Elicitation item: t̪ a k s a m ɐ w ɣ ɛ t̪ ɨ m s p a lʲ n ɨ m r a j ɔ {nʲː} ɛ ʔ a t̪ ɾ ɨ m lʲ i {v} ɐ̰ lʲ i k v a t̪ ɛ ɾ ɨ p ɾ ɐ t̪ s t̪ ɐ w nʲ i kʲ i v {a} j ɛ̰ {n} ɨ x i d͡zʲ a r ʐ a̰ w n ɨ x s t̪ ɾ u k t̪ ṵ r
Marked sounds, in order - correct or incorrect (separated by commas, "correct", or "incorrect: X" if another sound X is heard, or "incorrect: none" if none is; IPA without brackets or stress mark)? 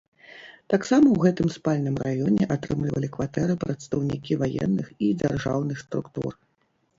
incorrect: nʲ, correct, correct, incorrect: nː